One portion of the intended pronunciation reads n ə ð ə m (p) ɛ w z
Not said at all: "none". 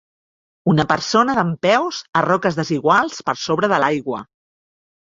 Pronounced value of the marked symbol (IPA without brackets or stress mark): p